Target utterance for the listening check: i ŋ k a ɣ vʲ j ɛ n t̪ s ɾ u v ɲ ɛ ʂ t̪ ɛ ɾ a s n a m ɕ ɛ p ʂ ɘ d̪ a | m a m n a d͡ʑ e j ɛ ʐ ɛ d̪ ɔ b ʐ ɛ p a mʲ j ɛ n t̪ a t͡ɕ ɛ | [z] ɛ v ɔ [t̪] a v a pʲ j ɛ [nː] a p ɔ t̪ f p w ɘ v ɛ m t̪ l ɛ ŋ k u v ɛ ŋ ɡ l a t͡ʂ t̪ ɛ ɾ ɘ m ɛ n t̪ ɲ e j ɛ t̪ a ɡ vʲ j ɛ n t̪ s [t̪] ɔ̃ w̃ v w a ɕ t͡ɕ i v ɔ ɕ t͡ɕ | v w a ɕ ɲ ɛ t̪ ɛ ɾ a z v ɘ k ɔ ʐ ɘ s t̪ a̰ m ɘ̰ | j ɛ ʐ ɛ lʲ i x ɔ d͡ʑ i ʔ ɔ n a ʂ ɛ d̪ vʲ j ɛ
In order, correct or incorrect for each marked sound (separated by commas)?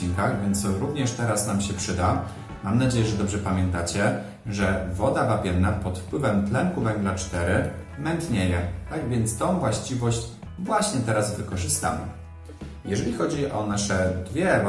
incorrect, incorrect, correct, correct